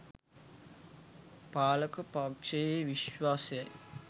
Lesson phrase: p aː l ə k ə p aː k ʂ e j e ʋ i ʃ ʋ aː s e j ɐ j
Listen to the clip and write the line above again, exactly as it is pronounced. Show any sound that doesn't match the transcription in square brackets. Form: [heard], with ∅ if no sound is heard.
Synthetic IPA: p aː l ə k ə p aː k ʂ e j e ʋ i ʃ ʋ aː s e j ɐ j